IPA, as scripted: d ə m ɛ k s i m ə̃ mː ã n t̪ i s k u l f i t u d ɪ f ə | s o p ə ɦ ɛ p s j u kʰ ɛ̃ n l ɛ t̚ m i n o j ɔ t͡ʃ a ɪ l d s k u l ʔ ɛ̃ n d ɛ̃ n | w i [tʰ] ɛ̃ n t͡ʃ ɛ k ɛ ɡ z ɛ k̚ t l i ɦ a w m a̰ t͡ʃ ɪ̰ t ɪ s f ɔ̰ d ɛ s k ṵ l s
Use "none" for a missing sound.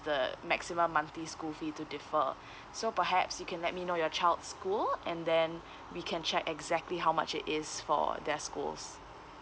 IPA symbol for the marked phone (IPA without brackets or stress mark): kʰ